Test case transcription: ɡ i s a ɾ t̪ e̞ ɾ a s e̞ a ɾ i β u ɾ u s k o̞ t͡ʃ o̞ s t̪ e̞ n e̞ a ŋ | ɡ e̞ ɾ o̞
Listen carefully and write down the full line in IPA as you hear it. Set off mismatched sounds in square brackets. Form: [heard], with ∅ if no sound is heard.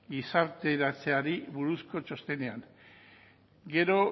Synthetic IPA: ɡ i s a ɾ t̪ e̞ ɾ a [t͡s] e̞ a ɾ i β u ɾ u s k o̞ t͡ʃ o̞ s t̪ e̞ n e̞ a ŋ | ɡ e̞ ɾ o̞